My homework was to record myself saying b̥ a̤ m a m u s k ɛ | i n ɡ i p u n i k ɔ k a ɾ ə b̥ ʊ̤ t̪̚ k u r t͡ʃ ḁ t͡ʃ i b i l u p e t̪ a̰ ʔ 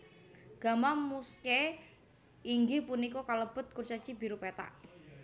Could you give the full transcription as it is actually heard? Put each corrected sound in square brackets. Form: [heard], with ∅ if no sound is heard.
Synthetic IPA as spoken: [ɡ̥] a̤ m a m u s k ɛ | i [ŋ] ɡ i p u n i k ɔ k a [l] ə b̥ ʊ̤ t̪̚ k u r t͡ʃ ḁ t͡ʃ i b i [ɾ] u p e t̪ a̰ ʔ